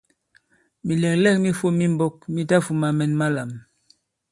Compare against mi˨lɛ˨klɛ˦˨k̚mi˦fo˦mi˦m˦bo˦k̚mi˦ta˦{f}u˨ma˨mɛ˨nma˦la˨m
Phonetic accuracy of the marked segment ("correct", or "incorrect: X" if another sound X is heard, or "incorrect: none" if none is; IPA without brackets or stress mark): correct